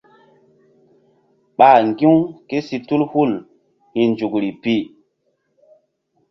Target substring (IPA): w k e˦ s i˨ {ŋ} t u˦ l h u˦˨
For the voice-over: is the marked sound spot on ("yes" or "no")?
no